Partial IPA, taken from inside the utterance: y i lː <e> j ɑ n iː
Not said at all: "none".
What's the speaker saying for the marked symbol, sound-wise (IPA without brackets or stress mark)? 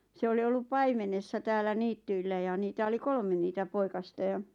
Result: æ